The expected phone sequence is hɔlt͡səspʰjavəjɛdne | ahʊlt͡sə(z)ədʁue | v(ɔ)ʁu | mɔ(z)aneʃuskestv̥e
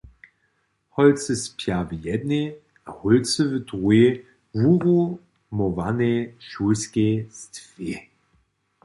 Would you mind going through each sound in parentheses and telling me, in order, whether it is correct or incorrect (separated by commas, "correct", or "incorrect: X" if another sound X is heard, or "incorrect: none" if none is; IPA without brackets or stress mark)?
incorrect: v, incorrect: u, incorrect: v